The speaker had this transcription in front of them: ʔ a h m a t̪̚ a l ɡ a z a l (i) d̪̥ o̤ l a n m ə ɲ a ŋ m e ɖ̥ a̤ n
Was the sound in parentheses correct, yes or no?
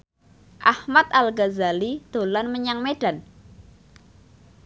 yes